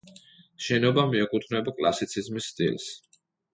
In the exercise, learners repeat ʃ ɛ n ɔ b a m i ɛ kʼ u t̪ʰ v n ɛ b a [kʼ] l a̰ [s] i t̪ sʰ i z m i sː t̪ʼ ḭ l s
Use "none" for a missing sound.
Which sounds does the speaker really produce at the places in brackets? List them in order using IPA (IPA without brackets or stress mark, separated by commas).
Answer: kʼ, s